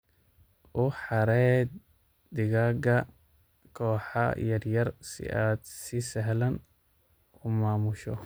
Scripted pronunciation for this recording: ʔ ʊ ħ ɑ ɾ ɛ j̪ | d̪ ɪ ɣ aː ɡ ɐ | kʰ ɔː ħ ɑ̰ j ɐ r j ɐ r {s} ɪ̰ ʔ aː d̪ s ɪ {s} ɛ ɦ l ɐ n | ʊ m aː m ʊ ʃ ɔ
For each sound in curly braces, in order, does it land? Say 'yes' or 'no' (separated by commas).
yes, yes